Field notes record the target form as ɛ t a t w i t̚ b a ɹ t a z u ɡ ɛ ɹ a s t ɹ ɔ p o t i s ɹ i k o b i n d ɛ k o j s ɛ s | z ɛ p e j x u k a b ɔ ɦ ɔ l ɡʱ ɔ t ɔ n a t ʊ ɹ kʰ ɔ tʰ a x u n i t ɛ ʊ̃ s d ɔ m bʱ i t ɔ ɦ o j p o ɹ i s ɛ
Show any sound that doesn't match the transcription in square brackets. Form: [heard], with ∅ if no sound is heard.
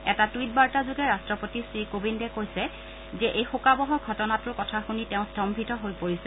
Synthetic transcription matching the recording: ɛ t a t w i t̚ b a ɹ t a z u ɡ ɛ ɹ a s t ɹ ɔ p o t i s ɹ i k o b i n d ɛ k o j s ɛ [∅] | z ɛ [ʔ] e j x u k a b ɔ ɦ ɔ [ɹ] ɡʱ ɔ t ɔ n a t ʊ ɹ [k] ɔ tʰ a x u n i t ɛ ʊ̃ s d ɔ m bʱ i t ɔ ɦ o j p o ɹ i s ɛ